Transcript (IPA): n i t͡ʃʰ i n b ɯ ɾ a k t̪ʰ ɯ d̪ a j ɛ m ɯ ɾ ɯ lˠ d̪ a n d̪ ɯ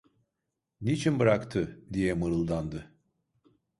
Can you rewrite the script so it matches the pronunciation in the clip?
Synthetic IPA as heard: n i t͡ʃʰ i n b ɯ ɾ a k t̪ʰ ɯ d̪ i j ɛ m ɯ ɾ ɯ lˠ d̪ a n d̪ ɯ